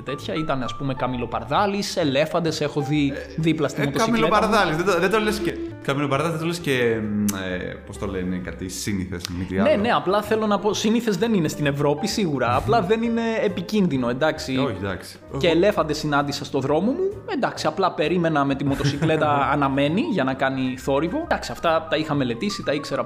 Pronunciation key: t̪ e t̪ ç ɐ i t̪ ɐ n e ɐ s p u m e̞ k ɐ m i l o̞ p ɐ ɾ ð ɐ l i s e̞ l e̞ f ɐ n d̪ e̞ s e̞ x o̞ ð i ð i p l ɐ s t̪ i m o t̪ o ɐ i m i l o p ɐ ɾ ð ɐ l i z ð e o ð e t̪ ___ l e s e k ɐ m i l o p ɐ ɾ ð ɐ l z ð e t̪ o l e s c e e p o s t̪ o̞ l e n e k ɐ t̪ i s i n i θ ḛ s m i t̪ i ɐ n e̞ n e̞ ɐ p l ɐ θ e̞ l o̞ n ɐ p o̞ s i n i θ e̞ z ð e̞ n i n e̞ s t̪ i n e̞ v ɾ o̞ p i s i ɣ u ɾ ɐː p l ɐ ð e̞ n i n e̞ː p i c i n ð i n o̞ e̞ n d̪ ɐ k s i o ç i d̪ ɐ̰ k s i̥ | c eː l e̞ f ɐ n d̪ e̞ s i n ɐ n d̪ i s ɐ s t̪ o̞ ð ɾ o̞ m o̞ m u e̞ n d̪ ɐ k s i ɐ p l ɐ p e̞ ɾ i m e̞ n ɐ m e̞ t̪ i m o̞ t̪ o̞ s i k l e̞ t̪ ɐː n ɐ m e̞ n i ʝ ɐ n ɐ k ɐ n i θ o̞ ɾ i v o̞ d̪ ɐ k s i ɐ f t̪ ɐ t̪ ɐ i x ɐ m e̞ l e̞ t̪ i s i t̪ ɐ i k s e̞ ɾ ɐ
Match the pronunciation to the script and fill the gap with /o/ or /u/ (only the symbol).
o